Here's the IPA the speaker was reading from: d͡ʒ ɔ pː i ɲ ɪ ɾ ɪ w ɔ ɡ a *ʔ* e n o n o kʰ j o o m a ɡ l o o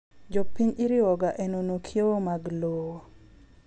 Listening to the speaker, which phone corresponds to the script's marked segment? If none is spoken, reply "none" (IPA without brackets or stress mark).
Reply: ʔ